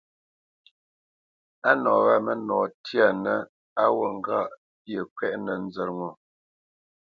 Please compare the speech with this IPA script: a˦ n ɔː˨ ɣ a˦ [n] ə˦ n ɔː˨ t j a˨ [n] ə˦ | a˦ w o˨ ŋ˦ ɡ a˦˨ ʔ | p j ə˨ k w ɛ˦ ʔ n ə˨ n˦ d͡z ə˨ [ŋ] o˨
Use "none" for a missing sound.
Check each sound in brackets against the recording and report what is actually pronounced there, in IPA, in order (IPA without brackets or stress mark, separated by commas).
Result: m, n, ŋ